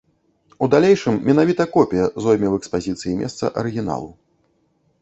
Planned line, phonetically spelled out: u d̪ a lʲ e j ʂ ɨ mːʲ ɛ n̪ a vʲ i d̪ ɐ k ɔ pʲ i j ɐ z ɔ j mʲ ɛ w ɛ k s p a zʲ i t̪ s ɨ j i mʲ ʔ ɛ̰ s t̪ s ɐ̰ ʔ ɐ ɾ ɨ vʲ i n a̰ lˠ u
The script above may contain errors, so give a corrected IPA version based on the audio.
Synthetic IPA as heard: u d̪ a lʲ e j ʂ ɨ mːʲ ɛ n̪ a vʲ i t̪ ɐ k ɔ pʲ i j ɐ z ɔ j mʲ ɛ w ɛ k s p a zʲ i t̪ s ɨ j i mʲ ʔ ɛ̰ s t̪ s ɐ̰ ʔ ɐ ɾ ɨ ɣʲ i n a̰ lˠ u